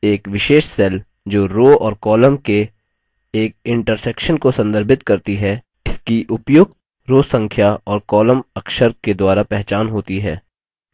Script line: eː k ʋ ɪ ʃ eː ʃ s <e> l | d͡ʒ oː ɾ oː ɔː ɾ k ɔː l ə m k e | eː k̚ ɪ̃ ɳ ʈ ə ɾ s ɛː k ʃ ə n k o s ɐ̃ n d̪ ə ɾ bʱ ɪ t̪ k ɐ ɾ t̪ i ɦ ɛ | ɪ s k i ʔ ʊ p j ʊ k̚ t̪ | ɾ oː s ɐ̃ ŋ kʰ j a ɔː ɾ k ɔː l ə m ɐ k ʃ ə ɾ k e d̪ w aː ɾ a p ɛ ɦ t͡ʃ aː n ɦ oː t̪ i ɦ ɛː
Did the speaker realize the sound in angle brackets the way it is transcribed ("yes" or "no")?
no